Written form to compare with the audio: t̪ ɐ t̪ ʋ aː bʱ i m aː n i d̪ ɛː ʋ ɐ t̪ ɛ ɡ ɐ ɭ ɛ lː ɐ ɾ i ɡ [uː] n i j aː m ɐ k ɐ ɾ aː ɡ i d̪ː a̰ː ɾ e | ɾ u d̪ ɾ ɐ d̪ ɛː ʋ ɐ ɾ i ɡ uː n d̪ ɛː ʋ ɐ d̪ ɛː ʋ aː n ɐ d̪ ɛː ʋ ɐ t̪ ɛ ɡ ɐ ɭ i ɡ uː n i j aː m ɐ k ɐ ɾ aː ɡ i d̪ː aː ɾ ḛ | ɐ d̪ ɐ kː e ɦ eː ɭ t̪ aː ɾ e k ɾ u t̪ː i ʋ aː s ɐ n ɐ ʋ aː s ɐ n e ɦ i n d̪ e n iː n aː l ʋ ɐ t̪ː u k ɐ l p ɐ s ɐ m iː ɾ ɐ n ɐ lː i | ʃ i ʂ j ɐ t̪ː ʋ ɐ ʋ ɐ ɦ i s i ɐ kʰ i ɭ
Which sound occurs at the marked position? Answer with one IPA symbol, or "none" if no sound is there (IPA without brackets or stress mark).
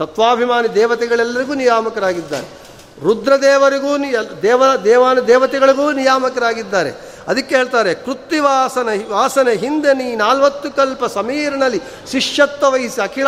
uː